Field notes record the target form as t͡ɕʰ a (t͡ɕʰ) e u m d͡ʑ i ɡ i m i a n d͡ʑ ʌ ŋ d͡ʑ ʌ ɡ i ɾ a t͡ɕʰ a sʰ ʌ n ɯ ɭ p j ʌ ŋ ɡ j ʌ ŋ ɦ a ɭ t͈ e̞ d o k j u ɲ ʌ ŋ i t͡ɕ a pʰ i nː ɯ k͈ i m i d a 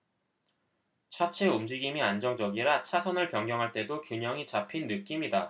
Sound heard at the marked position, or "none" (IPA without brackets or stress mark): t͡ɕʰ